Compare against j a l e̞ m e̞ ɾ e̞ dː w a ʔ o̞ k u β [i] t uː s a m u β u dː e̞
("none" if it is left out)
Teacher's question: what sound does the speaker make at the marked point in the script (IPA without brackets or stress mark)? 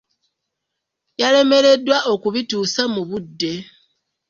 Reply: i